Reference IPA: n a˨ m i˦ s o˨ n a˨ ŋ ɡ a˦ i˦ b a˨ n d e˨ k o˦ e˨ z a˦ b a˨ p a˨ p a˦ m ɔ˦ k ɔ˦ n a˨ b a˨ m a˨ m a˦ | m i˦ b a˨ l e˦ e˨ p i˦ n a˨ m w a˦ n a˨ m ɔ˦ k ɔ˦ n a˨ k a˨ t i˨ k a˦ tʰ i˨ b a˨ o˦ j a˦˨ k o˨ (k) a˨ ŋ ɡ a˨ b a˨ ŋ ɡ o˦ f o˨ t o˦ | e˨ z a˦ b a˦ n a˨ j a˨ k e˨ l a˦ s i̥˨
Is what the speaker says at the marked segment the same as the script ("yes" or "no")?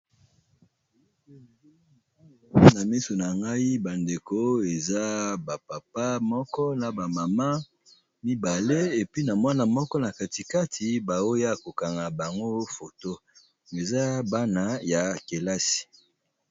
yes